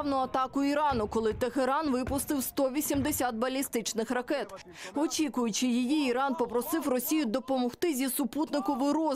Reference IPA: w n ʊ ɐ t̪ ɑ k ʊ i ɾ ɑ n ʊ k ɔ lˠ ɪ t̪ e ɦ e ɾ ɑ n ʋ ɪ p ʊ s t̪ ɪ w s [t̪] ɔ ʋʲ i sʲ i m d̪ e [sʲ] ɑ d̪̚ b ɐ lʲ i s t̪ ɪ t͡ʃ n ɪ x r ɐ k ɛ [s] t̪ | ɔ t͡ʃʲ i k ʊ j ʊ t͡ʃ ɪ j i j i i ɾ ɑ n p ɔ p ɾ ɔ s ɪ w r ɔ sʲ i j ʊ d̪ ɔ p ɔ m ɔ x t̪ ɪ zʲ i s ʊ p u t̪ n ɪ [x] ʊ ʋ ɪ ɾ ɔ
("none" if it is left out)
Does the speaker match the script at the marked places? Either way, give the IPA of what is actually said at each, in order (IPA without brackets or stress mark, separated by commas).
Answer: t̪, sʲ, none, k